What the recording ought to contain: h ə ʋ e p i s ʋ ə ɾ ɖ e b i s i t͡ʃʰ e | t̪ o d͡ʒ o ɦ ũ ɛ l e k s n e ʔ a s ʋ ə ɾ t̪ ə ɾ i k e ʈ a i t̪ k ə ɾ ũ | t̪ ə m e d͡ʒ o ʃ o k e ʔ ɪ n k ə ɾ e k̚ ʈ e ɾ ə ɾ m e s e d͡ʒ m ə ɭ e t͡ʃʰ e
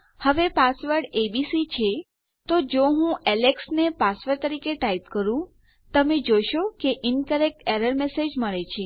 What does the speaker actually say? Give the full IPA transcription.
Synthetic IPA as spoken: h ə ʋ e p a s ʋ ə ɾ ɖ e b i s i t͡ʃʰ e | t̪ o d͡ʒ o ɦ ũ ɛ l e k s n e p a s ʋ ə ɾ t̪ ə ɾ i k e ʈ a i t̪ k ə ɾ ũ | t̪ ə m e d͡ʒ o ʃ o k e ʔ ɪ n k ə ɾ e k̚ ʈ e ɾ ə ɾ m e s e d͡ʒ m ə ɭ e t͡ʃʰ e